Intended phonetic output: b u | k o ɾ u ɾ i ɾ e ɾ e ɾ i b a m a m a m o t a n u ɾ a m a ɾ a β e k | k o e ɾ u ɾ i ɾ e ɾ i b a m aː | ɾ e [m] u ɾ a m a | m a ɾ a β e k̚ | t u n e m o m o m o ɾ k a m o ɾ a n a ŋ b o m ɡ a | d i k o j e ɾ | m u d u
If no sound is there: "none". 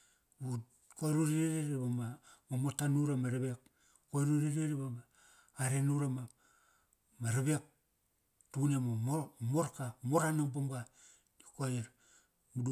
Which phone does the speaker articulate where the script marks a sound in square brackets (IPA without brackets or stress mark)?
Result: n